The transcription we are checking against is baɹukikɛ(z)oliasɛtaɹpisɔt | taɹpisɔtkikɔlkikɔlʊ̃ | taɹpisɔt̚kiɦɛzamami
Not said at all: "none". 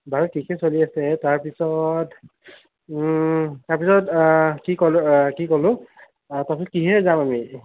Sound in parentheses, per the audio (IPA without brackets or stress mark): s